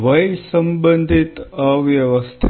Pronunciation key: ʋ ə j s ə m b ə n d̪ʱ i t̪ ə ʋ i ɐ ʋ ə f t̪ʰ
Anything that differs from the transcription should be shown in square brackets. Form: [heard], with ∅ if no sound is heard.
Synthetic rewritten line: ʋ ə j s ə m b ə n d̪ʱ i t̪ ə ʋ [j] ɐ ʋ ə [s] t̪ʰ